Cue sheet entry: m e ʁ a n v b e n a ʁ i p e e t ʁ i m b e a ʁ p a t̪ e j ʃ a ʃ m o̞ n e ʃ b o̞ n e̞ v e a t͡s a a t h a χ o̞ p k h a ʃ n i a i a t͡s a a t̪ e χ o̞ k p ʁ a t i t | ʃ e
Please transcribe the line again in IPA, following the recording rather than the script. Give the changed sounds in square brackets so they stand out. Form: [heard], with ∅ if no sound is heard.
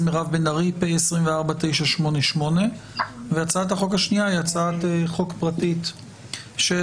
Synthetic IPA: m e ʁ a [∅] v b e n a ʁ i p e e [s] ʁ i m [v] e a ʁ [b] a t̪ e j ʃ a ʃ m o̞ n e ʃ [m] o̞ n e̞ v e a t͡s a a t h a χ o̞ [∅] k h a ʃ n i a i a t͡s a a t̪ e χ o̞ k p ʁ a t i t | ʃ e